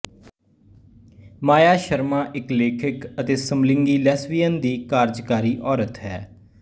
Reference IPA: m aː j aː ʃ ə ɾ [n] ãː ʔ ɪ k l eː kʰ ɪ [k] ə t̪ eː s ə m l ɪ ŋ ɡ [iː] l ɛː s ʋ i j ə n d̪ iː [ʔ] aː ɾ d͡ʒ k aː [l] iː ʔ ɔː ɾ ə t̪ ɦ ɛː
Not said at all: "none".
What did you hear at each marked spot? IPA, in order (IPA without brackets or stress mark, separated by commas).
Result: m, k, iː, k, ɾ